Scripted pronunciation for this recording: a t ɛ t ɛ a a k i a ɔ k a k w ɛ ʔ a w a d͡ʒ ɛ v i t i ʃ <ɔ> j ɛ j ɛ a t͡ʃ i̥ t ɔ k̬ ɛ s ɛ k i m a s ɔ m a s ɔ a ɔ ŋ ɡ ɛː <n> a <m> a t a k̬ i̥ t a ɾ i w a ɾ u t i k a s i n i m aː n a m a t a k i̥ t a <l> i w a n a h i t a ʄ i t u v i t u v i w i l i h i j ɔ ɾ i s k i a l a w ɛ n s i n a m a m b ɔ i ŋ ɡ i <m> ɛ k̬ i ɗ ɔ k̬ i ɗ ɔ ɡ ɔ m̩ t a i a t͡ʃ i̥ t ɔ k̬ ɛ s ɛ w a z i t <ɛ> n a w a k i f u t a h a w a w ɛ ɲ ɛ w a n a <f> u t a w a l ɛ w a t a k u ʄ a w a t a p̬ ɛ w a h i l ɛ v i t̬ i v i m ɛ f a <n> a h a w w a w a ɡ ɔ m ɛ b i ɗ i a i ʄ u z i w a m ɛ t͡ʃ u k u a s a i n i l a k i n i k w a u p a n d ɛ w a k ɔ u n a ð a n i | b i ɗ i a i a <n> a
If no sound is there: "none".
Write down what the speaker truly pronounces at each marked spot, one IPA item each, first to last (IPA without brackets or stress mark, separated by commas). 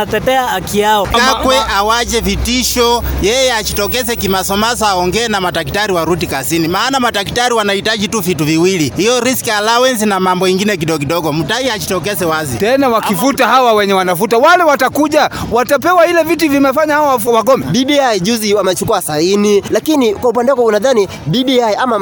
ɔ, n, m, ɾ, n, ɛ, f, ɲ, m